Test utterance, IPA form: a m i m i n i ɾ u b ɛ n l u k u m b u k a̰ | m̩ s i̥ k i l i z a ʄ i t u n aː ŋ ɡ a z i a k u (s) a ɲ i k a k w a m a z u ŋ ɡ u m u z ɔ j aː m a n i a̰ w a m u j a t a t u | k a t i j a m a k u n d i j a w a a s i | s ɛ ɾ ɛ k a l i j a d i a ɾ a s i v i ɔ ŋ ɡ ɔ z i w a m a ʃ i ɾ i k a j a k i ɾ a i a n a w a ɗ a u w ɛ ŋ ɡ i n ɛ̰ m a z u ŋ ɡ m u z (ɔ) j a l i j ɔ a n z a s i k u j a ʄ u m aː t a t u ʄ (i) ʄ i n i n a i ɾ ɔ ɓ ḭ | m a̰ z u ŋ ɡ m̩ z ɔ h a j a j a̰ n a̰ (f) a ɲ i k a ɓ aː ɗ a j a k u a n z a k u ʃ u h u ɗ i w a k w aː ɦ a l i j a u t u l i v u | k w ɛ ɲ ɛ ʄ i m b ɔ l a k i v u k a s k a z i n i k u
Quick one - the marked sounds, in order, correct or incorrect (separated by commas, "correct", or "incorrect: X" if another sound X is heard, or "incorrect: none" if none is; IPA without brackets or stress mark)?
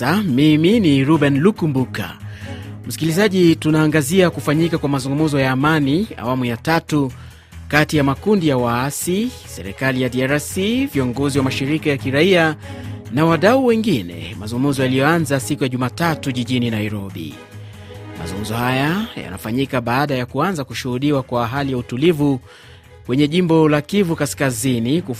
incorrect: f, correct, correct, correct